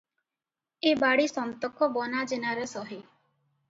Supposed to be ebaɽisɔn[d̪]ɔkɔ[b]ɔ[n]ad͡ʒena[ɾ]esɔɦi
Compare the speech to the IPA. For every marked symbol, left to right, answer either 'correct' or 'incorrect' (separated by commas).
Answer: incorrect, correct, correct, correct